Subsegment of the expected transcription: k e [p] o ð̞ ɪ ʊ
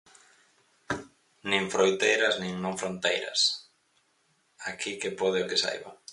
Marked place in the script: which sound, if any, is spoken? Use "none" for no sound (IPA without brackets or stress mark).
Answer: p